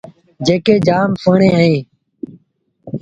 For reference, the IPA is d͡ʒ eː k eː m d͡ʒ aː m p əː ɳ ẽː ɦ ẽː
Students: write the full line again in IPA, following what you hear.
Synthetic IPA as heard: d͡ʒ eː k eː d͡ʒ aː m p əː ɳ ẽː ɦ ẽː